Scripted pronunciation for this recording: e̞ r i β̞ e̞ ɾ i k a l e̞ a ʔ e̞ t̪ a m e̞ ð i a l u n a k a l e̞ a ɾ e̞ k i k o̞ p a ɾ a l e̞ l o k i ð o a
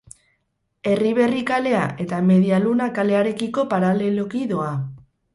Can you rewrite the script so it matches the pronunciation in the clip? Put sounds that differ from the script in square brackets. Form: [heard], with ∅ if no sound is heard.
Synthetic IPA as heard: e̞ r i β̞ e̞ [r] i k a l e̞ a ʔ e̞ t̪ a m e̞ ð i a l u n a k a l e̞ a ɾ e̞ k i k o̞ p a ɾ a l e̞ l o k i ð o a

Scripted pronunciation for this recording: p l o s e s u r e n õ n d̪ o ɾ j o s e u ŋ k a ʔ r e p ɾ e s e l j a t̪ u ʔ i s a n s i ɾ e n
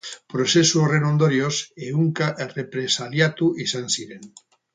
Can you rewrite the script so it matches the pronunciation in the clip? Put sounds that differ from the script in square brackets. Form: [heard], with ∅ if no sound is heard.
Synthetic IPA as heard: p [ɾ] o s e s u r e n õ n d̪ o ɾ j o s e u ŋ k a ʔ r e p ɾ e s [a] l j a t̪ u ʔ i s a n s i ɾ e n

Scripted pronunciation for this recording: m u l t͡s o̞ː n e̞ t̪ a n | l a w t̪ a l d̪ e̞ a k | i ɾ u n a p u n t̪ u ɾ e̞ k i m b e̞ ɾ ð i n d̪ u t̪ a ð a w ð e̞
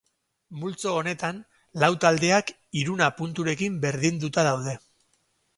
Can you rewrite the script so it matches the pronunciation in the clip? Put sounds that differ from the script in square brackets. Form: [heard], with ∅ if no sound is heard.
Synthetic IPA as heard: m u l t͡s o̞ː n e̞ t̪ a n | l a w t̪ a l d̪ e̞ a k | i ɾ u n a p u n t̪ u ɾ e̞ k i m b e̞ ɾ ð i n d̪ u t̪ a ð a w ð e̞

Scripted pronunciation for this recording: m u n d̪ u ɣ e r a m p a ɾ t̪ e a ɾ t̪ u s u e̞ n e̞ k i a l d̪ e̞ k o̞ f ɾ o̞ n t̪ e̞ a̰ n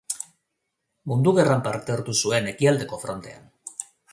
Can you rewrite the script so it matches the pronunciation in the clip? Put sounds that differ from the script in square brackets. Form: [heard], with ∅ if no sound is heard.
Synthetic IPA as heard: m u n d̪ u ɣ e r a m p a ɾ t̪ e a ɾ t̪ u s u e̞ n e̞ k i a l d̪ e̞ k o̞ f ɾ o̞ n t̪ e̞ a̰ n

